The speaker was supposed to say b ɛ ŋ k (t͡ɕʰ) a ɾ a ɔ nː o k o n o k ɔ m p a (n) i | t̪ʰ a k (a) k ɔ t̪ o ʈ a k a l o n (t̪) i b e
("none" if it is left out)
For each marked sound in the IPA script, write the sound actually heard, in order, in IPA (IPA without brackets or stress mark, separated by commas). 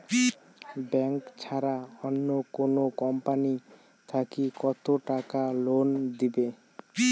t͡ɕʰ, n, i, d̪